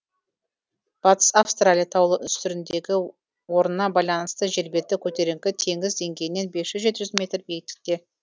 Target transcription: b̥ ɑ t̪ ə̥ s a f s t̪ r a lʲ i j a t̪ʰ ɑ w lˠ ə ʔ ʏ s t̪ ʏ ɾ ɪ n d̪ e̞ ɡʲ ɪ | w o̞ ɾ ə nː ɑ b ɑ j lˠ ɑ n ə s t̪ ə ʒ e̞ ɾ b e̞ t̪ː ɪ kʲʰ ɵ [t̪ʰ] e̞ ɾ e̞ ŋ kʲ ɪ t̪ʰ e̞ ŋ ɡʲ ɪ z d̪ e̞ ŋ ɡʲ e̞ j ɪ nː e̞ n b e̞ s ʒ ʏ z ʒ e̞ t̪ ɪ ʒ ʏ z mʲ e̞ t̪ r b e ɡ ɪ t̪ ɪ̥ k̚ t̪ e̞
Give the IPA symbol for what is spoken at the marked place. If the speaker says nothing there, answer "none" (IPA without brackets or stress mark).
t̪